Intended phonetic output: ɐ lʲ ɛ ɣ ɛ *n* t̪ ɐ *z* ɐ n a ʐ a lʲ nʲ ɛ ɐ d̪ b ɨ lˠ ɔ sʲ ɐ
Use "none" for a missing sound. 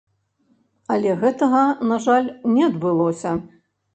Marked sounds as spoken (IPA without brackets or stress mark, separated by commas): none, ɣ